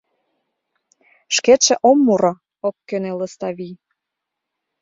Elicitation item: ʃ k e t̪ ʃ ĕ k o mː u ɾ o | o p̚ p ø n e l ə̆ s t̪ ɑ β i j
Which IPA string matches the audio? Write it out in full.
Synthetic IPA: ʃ k e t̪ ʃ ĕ ʔ o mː u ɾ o | o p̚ k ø n e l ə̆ s t̪ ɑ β i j

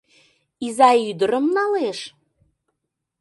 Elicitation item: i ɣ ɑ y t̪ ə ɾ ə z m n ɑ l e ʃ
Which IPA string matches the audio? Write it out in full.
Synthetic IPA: i z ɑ y d̪ ə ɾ ə m n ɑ l e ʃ

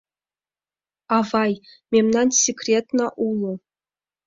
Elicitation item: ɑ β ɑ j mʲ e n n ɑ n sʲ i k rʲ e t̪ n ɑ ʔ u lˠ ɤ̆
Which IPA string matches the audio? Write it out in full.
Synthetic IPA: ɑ v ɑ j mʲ e m n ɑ n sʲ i k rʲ e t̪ n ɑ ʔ u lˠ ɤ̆

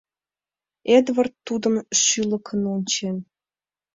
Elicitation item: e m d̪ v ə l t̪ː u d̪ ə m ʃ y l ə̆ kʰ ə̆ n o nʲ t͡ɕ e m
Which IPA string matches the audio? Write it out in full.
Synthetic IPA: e d̪ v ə r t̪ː u d̪ ə m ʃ y l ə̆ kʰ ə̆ n o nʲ t͡ɕ e n

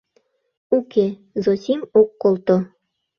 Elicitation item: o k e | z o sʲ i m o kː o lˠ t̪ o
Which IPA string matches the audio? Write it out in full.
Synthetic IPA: u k e | z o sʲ i m o kː o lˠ t̪ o

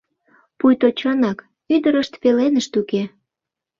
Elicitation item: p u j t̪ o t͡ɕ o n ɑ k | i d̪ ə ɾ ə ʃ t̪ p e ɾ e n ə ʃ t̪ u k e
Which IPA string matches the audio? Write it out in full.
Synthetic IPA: p u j t̪ o t͡ɕ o n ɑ k | y d̪ ə ɾ ə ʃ t̪ p e l e n ə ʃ t̪ u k e

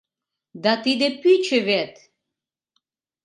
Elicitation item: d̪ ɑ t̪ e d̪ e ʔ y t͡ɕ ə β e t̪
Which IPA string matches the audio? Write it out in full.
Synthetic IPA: d̪ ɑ t̪ i d̪ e p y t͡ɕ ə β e t̪

